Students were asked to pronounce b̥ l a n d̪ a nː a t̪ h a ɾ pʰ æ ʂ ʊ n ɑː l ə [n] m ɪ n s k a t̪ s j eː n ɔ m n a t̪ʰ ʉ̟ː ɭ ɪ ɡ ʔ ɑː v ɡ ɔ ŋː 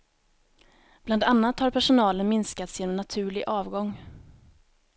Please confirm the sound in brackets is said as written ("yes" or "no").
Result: yes